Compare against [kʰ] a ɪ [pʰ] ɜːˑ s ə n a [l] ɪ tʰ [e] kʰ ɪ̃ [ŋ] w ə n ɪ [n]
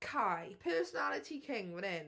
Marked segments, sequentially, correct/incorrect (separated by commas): correct, correct, correct, incorrect, correct, correct